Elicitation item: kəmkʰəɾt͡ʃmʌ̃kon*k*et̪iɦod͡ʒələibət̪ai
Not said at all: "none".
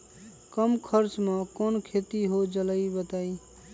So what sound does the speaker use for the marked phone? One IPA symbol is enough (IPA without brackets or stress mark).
kʰ